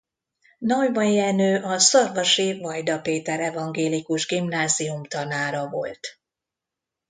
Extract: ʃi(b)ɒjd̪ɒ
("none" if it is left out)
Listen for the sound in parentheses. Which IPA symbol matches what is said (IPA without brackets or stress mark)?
v